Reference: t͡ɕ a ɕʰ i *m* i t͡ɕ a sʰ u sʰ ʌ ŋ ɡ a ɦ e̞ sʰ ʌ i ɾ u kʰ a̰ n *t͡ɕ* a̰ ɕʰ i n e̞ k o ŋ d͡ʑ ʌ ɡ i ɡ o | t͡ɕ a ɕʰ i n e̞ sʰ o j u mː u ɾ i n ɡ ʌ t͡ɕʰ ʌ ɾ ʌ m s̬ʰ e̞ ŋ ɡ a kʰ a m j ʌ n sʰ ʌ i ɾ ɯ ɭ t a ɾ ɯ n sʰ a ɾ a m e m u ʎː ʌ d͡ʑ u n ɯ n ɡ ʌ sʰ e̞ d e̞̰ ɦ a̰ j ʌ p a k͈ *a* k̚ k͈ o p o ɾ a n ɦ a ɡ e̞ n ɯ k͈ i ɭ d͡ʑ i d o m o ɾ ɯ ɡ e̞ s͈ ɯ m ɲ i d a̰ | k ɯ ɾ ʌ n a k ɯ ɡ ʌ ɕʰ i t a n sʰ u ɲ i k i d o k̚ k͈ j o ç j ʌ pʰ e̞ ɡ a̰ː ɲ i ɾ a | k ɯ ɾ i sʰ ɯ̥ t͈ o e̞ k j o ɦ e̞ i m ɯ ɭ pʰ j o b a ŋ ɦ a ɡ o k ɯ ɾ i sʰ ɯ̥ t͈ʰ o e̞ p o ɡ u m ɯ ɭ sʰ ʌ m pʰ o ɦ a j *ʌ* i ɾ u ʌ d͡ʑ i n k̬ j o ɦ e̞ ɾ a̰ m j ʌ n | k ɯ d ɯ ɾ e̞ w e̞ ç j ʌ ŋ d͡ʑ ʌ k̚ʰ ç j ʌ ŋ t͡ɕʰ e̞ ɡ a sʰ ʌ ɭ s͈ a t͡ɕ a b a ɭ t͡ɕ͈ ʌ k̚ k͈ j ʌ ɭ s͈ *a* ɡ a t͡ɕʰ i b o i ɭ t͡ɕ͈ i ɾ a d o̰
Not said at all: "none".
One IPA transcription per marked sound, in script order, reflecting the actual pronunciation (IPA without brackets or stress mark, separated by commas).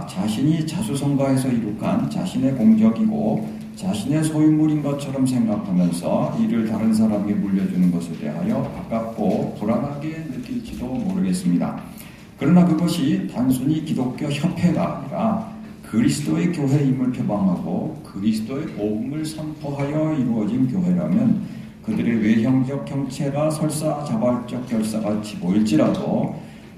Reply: ɲ, t͡ɕ, a, ʌ, a